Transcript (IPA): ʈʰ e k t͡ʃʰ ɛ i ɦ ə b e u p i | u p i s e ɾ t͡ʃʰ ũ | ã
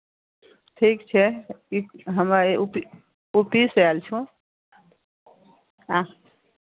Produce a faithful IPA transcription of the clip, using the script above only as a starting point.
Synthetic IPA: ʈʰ i k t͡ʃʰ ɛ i ɦ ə m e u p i | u p i s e l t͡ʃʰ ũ | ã